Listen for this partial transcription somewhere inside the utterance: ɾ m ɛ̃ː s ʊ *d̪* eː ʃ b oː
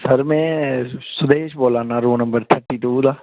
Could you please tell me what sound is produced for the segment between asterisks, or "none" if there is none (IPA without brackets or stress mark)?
d̪